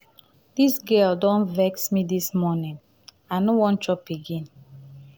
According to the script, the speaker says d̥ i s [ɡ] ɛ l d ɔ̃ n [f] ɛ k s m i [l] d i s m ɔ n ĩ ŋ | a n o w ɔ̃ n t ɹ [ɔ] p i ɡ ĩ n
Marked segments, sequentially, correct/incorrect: correct, incorrect: v, incorrect: none, correct

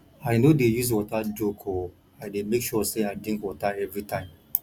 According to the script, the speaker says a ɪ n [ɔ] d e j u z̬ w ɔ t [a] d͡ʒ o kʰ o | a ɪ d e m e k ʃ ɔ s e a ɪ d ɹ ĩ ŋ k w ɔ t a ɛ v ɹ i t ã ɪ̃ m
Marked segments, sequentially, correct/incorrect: incorrect: o, correct

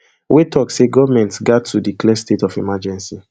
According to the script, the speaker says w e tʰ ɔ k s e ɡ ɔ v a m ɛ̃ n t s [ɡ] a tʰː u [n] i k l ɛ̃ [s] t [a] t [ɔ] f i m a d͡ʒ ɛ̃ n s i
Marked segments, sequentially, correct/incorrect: correct, incorrect: d, correct, incorrect: e, correct

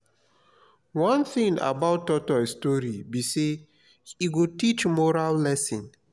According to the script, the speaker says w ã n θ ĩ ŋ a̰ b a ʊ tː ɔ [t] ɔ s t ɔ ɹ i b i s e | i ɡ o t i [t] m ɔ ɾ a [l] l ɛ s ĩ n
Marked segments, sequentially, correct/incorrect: correct, incorrect: t͡ʃ, correct

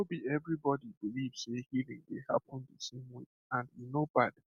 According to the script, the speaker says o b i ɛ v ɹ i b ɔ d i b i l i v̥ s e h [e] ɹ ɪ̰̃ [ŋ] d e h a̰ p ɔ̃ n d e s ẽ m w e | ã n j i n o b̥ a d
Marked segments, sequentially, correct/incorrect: incorrect: i, correct

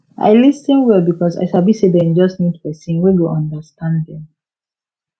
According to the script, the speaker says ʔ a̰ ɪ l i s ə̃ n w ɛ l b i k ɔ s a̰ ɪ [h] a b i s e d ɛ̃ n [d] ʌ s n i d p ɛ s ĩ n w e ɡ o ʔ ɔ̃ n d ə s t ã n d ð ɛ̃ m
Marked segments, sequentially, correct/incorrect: incorrect: ʃ, incorrect: d͡ʒ

